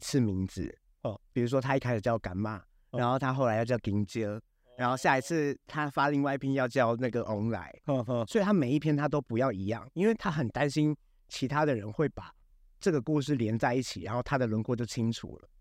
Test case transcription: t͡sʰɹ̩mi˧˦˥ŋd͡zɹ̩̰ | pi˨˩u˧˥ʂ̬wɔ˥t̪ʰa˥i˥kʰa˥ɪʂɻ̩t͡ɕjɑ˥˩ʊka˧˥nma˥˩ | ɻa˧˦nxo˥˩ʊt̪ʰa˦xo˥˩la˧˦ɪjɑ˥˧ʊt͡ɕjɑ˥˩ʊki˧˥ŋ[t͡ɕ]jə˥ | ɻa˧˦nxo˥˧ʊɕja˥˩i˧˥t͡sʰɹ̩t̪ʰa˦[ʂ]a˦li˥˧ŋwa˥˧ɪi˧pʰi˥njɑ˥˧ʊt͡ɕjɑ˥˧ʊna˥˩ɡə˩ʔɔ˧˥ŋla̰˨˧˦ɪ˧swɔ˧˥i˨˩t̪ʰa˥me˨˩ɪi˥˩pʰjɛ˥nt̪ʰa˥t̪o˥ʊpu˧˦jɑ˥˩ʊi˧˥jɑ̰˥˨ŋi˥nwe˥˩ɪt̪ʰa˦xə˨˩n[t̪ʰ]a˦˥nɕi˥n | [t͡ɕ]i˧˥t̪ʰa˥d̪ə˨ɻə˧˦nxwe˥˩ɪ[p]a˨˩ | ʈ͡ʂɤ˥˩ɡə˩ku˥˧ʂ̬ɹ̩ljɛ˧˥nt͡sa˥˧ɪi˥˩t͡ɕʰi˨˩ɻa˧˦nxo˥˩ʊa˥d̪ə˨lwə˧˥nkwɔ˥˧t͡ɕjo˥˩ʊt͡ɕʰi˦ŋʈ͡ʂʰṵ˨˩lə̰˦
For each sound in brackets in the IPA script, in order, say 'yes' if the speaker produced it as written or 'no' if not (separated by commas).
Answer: yes, no, no, no, yes